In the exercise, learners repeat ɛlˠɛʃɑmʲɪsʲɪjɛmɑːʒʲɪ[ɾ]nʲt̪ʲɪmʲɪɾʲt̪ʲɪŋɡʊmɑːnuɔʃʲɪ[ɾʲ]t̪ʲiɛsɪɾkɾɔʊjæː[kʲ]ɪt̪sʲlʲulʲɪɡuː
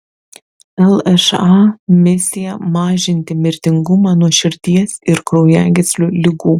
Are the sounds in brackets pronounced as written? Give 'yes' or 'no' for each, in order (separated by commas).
no, yes, no